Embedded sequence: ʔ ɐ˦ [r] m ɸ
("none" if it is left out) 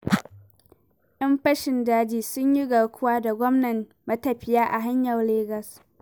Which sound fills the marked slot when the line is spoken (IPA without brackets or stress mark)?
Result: none